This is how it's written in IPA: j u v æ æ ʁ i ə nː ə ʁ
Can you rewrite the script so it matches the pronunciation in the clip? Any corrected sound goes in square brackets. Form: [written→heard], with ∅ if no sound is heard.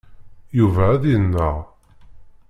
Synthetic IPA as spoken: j u v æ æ [ʁ→ð] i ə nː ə ʁ